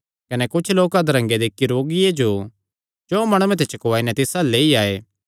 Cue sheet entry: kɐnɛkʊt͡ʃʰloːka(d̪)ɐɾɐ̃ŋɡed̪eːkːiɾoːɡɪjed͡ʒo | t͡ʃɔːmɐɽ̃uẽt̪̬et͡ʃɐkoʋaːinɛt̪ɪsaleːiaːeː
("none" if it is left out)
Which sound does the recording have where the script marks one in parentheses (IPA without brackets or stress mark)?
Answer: d̪